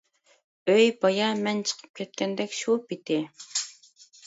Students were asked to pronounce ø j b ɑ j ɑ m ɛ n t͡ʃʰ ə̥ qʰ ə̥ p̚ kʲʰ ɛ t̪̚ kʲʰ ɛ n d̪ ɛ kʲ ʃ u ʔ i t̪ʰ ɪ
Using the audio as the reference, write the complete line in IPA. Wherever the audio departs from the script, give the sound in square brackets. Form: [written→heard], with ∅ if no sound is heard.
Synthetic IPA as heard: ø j b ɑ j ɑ m ɛ n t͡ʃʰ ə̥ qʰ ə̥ p̚ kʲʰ ɛ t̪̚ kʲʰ ɛ n d̪ ɛ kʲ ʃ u [ʔ→p] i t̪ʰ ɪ